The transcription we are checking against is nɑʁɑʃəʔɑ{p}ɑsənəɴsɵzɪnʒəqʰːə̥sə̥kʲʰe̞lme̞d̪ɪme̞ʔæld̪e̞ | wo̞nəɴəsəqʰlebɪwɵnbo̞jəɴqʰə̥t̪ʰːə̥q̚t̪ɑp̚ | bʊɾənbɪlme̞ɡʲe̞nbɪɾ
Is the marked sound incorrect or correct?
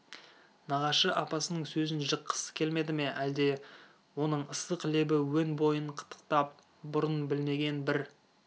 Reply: correct